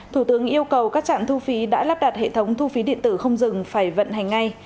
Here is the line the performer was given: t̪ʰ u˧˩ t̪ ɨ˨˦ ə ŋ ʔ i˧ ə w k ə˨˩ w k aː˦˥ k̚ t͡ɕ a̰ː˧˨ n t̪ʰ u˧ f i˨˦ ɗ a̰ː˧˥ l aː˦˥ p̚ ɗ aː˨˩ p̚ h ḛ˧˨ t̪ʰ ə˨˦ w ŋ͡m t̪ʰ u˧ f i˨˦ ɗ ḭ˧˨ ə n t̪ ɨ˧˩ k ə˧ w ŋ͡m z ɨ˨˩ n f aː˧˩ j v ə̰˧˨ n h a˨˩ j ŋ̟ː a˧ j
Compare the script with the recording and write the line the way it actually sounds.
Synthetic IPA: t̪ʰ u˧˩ t̪ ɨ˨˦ ə ŋ ʔ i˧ ə w k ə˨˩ w k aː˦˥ k̚ t͡ɕ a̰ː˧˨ n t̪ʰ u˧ f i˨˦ ɗ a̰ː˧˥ l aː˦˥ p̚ ɗ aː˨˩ t̚ h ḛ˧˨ t̪ʰ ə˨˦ w ŋ͡m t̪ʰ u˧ f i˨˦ ɗ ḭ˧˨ ə n t̪ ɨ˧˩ x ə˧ w ŋ͡m z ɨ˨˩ ŋ f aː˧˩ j v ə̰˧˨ n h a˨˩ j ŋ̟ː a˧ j